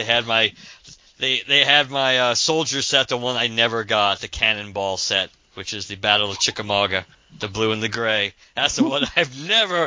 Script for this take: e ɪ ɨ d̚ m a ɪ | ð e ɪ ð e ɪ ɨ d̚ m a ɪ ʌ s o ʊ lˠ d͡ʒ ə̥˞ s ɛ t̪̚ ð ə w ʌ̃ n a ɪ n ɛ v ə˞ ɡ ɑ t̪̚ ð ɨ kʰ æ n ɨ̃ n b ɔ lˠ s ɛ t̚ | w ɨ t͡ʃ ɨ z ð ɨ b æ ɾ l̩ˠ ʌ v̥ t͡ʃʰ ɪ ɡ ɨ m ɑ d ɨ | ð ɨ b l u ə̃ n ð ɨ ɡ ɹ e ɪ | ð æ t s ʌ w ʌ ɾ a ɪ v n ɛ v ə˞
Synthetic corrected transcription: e ɪ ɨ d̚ m a ɪ | ð e ɪ ð e ɪ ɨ d̚ m a ɪ ʌ s o ʊ lˠ d͡ʒ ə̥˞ s ɛ t̪̚ ð ə w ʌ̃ n a ɪ n ɛ v ə˞ ɡ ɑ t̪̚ ð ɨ kʰ æ n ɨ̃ n b ɔ lˠ s ɛ t̚ | w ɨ t͡ʃ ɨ z ð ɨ b æ ɾ l̩ˠ ʌ v̥ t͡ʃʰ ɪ k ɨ m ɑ ɡ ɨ | ð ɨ b l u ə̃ n ð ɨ ɡ ɹ e ɪ | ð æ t s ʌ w ʌ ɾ a ɪ v n ɛ v ə˞